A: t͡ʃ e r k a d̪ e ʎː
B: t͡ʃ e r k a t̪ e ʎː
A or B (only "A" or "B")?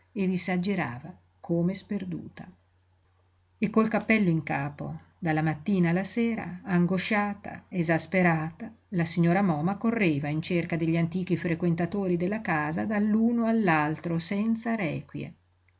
A